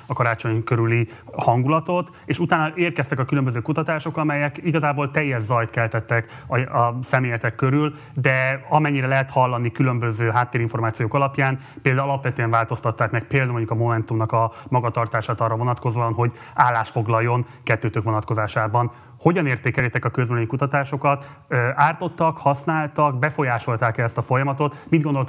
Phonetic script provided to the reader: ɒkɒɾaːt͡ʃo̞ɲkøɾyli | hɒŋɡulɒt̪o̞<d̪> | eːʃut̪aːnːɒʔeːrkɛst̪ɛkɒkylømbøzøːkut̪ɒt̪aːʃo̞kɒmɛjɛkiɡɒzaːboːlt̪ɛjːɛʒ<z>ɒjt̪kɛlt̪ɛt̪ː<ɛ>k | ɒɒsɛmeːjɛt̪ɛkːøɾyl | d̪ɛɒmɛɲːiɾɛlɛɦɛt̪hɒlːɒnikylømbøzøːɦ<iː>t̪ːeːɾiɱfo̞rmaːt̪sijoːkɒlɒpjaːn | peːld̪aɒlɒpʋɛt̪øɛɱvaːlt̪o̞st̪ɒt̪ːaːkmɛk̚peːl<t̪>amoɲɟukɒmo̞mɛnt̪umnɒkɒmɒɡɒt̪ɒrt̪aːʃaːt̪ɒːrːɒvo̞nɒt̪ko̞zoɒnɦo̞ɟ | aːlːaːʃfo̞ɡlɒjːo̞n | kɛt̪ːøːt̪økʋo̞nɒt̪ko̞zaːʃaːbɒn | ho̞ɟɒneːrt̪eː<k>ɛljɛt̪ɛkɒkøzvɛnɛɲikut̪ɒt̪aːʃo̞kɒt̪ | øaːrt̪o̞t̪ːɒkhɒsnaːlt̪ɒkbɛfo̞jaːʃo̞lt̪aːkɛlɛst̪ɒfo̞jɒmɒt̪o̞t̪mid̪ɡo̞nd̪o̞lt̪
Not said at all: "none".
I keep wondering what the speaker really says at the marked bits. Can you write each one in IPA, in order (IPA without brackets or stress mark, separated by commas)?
t̪, z, ɛ, aː, d̪, k